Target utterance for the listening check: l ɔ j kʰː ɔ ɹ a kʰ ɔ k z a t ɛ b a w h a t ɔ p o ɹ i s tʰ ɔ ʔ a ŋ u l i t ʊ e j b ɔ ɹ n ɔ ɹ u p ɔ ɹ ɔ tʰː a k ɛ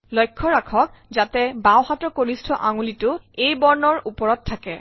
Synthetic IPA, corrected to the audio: l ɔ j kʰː ɔ ɹ a kʰ ɔ k z a t ɛ b a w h a t ɔ k o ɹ i s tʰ ɔ ʔ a ŋ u l i t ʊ e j b ɔ ɹ n ɔ ɹ u p ɔ ɹ ɔ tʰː a k ɛ